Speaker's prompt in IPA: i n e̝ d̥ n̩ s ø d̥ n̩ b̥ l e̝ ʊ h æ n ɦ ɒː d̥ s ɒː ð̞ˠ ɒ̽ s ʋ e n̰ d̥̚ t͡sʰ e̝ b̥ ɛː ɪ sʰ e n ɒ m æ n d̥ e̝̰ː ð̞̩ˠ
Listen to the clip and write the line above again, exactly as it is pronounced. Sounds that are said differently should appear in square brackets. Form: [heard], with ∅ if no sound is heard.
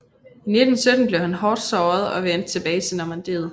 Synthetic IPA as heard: i n e̝ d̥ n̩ s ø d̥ n̩ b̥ l e̝ ʊ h æ n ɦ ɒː d̥ s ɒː ð̞ˠ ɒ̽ [∅] ʋ e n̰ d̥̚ t͡sʰ e̝ b̥ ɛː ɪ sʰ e n ɒ m æ n d̥ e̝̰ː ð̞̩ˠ